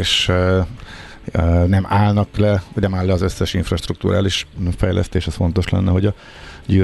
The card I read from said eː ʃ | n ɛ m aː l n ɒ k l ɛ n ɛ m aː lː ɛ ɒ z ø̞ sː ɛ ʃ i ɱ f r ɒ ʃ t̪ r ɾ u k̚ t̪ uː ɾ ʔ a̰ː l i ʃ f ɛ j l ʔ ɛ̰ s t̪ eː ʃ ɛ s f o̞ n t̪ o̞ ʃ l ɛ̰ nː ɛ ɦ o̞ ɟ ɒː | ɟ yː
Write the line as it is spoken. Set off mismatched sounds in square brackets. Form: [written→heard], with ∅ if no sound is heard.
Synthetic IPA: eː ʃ | n ɛ m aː l n ɒ k l ɛ n ɛ m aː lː ɛ ɒ z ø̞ sː ɛ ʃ i ɱ f r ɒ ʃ t̪ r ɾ u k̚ t̪ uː ɾ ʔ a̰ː l i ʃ f ɛ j l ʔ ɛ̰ s t̪ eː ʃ ɛ s f o̞ n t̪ o̞ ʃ l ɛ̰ nː ɛ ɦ o̞ ɟ [ɒː→ɒ] | ɟ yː